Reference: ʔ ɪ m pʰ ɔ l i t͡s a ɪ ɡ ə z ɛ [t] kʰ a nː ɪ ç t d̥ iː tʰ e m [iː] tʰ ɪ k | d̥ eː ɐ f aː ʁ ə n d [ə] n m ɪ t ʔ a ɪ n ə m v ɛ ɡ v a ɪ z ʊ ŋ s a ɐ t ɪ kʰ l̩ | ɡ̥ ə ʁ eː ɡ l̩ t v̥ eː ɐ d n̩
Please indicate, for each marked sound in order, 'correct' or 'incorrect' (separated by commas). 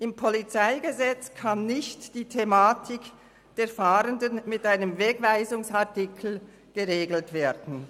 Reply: incorrect, incorrect, correct